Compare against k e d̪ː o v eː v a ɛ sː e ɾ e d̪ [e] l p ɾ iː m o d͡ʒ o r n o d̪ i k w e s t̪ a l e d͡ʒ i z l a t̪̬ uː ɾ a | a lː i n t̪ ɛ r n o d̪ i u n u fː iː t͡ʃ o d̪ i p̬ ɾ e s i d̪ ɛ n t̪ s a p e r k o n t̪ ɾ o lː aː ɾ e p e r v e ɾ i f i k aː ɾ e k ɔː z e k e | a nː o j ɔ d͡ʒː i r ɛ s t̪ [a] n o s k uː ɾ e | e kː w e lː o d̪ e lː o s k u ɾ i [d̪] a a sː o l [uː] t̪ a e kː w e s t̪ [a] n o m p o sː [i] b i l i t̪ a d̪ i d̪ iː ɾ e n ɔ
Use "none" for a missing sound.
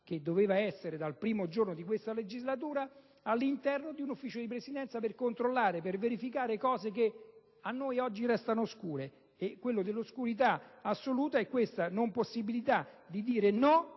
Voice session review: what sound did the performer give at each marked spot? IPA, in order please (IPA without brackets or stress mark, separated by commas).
a, a, t̪, uː, a, i